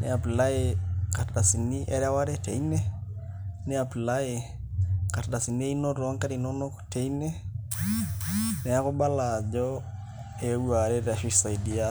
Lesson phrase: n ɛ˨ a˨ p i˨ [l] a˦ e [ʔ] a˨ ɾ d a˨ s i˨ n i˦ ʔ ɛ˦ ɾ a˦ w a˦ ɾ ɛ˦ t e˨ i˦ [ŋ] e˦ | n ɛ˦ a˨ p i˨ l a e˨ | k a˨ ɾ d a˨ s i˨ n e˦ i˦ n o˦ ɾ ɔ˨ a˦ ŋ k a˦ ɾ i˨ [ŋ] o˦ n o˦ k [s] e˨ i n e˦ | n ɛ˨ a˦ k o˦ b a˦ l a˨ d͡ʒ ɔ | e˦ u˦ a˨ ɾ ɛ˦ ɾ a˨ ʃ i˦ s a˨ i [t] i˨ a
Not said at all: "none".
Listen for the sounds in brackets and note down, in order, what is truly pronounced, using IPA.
l, k, n, n, t, d

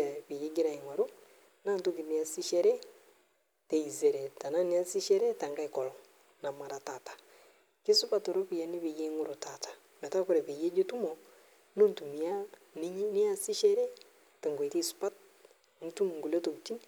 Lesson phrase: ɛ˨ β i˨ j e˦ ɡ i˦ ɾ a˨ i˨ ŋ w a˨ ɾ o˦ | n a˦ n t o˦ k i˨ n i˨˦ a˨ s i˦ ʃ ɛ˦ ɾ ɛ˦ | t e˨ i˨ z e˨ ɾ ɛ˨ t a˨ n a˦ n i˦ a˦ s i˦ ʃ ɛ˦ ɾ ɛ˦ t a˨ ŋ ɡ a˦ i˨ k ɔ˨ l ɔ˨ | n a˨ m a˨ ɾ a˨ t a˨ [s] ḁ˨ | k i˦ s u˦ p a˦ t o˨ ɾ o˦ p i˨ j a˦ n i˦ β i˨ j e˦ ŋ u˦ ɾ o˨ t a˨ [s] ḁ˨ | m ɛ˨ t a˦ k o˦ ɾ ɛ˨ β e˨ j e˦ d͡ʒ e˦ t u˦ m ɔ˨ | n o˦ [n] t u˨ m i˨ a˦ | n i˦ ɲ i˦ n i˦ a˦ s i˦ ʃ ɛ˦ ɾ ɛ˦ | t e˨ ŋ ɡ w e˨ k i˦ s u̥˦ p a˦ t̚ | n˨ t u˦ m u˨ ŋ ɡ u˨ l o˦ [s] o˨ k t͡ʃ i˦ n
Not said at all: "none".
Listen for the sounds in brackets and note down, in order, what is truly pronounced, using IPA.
t, t, n, t

